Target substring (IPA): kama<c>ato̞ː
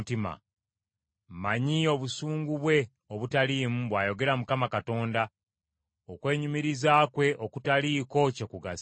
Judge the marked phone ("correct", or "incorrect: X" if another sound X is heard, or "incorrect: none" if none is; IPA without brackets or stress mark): incorrect: k